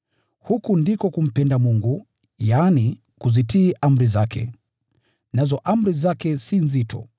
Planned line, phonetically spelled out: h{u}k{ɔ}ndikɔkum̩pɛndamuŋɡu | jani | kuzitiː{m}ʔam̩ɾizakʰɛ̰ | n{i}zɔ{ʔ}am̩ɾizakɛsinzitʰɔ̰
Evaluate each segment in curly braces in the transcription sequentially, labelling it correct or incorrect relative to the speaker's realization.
correct, incorrect, incorrect, incorrect, correct

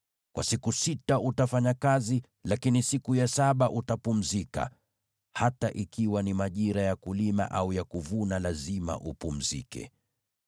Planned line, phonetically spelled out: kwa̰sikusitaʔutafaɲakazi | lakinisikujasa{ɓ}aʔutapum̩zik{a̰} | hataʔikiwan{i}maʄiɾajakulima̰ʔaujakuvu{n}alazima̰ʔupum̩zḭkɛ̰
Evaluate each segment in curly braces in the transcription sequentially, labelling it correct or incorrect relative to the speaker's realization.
correct, correct, correct, correct

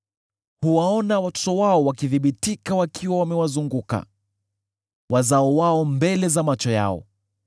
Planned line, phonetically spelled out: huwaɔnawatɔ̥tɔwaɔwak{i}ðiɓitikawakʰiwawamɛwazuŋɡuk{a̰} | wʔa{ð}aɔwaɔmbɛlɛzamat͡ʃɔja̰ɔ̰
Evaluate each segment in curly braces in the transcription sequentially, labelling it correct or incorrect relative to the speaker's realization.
correct, correct, incorrect

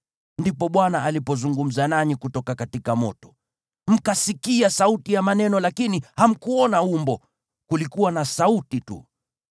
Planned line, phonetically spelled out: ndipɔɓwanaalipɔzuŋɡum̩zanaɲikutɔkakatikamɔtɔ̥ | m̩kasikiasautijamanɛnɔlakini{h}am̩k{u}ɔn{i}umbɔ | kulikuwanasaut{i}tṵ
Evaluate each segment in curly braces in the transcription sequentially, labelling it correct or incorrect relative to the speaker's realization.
correct, correct, incorrect, correct

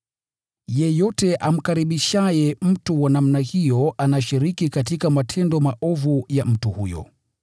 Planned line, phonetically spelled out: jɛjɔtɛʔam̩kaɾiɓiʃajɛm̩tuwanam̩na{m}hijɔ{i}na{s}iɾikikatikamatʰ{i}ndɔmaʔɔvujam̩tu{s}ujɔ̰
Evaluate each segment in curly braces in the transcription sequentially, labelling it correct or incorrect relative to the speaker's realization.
incorrect, incorrect, incorrect, incorrect, incorrect

